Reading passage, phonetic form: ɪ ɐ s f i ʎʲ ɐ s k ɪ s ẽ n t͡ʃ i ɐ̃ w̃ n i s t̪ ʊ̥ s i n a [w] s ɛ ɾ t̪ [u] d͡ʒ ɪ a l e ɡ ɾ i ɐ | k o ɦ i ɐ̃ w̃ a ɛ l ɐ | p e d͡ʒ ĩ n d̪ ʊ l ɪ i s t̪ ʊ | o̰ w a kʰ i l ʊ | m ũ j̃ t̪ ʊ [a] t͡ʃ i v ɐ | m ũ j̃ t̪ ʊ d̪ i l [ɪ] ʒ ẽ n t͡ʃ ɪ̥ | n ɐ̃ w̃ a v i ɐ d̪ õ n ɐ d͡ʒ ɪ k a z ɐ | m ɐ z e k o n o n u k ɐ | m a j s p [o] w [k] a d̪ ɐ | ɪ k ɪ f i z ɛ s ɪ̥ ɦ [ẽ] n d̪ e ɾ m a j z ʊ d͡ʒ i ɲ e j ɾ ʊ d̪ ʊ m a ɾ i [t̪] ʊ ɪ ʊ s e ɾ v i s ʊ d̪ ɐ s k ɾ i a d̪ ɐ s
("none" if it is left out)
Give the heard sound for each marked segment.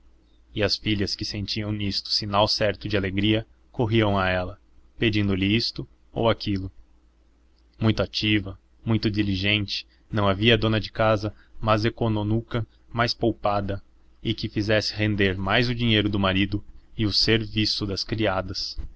w, ʊ, a, i, o, p, ẽ, d̪

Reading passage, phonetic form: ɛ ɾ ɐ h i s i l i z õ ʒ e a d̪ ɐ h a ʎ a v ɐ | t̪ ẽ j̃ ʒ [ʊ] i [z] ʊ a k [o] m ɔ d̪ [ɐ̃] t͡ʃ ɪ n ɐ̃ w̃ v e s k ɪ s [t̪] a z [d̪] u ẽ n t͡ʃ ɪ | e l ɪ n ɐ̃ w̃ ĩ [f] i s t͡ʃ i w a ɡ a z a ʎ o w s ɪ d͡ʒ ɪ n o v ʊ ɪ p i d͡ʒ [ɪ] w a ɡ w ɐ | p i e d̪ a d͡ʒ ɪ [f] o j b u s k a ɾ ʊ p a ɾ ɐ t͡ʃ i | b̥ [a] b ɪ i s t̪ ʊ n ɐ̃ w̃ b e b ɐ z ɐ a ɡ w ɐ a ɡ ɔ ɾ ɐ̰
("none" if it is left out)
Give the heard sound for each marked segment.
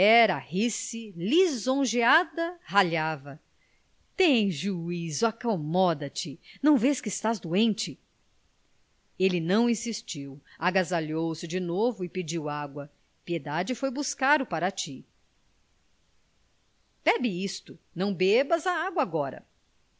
u, z, o, ɐ, t̪, d̪, s, i, f, ɛ

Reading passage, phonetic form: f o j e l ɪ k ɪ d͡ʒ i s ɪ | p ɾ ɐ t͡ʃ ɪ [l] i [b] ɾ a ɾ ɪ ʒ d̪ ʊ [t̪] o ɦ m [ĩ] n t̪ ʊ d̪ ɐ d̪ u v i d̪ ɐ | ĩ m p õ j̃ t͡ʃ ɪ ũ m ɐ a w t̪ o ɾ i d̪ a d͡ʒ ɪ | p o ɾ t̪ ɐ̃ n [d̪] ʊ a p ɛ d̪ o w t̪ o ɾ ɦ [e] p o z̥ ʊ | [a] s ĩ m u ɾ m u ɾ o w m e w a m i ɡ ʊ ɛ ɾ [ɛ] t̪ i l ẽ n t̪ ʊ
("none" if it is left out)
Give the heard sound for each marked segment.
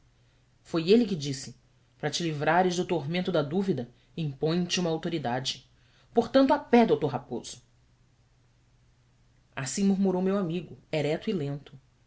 l, v, t̪, ẽ, t̪, a, a, ɛ

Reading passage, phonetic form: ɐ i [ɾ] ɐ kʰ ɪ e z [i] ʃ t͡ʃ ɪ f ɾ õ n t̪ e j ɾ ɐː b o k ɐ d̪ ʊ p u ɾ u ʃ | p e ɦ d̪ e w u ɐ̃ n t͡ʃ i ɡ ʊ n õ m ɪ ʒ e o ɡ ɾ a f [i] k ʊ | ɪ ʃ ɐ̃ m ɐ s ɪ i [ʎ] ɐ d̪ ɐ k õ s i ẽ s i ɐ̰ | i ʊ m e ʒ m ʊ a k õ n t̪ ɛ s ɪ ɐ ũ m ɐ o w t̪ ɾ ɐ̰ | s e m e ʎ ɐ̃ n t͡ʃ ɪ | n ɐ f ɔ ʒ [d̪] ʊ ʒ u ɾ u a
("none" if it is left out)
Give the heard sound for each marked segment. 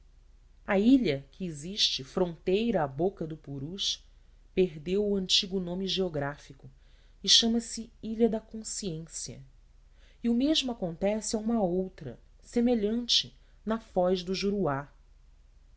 ʎ, i, i, ʎ, d̪

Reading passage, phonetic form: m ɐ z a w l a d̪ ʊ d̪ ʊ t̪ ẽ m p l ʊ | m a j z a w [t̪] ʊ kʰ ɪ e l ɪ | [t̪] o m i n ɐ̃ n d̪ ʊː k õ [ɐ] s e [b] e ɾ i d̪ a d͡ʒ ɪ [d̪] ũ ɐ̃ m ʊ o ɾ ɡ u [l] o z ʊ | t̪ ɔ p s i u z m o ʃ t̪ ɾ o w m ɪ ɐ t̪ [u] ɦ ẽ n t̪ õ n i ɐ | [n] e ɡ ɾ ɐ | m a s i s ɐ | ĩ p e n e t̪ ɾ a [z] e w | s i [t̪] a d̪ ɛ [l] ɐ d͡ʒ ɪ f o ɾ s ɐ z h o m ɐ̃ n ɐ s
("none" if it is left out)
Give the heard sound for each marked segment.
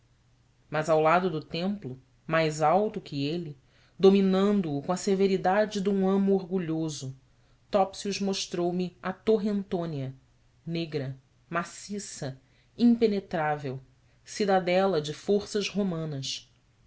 t̪, d̪, ɐ, v, d̪, ʎ, o, n, v, d̪, l

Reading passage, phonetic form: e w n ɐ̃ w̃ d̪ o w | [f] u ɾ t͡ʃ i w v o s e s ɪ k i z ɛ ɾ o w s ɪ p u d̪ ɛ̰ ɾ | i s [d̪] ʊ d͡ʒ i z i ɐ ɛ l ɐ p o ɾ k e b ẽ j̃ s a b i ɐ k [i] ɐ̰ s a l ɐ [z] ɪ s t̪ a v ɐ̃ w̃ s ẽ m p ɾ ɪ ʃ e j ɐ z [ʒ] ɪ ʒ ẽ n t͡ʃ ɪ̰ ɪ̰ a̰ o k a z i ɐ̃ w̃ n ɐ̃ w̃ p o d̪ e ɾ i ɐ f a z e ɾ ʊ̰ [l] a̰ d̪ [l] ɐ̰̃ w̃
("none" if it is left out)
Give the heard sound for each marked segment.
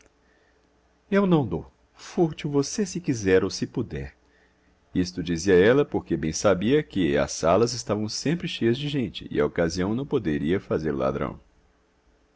f, t̪, ɪ, z, d͡ʒ, l, ɾ

